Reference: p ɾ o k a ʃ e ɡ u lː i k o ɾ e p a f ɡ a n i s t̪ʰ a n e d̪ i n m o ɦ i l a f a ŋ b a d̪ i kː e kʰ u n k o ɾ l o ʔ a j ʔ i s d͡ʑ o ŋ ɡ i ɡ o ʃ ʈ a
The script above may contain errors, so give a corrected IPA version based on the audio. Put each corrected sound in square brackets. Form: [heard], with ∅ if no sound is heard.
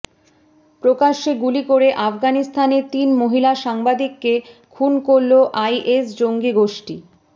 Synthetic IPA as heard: p ɾ o k a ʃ e ɡ u [l] i k o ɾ e [ʔ] a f ɡ a n i s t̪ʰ a n e [t̪] i n m o ɦ i l a [ʃ] a ŋ b a d̪ i kː e kʰ u n k o ɾ l o ʔ a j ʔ [e] s d͡ʑ o ŋ ɡ i ɡ o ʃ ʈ [i]